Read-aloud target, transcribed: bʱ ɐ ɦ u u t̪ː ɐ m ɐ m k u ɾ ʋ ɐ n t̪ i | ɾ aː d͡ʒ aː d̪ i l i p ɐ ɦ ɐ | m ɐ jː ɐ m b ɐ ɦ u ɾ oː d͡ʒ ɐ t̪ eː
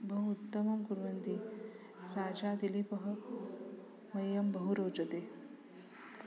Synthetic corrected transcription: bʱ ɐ ɦ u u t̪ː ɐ m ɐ m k u ɾ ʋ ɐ n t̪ i | ɾ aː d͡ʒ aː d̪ i l i p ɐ ɦ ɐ | m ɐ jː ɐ m b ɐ ɦ u ɾ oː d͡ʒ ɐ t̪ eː